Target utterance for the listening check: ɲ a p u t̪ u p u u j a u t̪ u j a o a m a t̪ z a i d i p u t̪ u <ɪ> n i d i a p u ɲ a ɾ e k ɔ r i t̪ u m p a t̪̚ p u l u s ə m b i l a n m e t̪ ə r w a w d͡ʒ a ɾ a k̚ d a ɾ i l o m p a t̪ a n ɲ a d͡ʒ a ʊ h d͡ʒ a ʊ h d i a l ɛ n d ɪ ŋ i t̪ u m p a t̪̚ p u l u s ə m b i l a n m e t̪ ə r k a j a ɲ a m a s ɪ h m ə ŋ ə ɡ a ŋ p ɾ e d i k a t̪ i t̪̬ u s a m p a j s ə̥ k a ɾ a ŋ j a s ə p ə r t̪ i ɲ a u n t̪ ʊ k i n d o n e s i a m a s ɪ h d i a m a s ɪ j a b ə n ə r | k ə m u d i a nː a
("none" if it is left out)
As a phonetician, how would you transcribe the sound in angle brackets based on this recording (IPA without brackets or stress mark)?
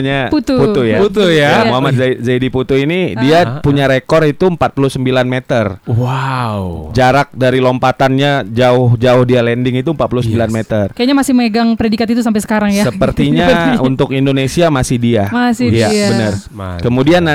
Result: i